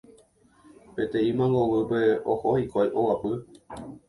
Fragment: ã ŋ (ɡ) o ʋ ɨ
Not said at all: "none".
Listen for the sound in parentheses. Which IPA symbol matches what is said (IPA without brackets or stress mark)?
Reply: ɡ